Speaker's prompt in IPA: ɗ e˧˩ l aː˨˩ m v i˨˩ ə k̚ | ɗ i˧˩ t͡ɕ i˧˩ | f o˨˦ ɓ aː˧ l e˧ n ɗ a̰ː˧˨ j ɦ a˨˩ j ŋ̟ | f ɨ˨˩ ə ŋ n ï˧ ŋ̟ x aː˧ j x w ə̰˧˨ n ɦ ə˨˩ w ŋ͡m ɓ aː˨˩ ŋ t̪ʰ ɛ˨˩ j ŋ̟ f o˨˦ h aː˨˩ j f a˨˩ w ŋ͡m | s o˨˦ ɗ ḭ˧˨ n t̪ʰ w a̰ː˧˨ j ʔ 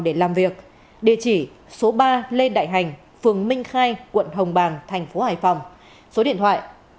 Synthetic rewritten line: ɗ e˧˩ l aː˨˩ m v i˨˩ ə k̚ | ɗ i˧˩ t͡ɕ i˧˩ | s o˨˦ ɓ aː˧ l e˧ n ɗ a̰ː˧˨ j ɦ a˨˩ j ŋ̟ | f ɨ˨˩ ə ŋ m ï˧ ŋ̟ x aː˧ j k w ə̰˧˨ n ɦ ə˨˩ w ŋ͡m ɓ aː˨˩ ŋ t̪ʰ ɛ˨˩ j ŋ̟ f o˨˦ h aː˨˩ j f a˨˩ w ŋ͡m | s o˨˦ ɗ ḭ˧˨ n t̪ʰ w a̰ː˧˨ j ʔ